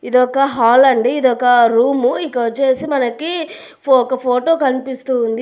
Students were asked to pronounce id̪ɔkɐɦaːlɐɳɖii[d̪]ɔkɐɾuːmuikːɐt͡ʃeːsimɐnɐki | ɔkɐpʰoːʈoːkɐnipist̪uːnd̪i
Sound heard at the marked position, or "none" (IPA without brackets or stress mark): d̪